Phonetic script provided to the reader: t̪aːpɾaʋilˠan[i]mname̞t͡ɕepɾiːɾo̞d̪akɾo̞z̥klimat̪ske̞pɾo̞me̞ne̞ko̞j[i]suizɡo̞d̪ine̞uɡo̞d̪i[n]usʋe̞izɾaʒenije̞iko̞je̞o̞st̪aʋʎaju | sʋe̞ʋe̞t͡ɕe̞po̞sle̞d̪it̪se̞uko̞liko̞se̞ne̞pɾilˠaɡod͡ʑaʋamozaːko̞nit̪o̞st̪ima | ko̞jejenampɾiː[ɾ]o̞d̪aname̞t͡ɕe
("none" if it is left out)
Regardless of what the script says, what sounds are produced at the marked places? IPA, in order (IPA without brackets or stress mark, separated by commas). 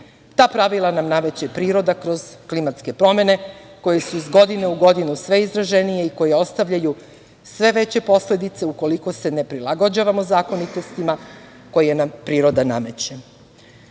a, e, n, ɾ